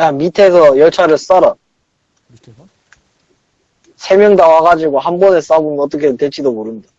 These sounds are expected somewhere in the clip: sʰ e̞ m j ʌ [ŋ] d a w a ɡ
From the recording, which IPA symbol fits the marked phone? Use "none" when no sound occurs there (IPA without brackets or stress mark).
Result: ŋ